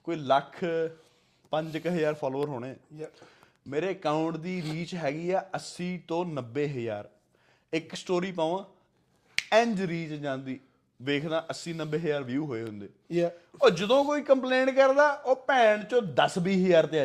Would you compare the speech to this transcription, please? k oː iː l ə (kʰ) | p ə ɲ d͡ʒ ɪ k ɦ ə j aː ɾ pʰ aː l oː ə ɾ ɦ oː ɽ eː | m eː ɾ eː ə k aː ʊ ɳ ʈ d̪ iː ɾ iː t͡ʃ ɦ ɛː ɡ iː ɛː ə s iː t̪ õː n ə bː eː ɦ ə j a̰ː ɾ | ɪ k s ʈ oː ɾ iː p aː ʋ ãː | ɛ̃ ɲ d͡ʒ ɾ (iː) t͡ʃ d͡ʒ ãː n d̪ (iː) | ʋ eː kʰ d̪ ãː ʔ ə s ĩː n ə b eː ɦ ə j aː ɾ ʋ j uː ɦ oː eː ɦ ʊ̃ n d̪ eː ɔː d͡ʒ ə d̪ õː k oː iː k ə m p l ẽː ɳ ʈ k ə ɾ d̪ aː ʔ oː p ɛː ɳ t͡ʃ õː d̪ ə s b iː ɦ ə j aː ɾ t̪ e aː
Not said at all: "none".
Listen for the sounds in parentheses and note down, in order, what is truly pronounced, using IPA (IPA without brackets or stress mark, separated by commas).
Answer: kʰ, iː, iː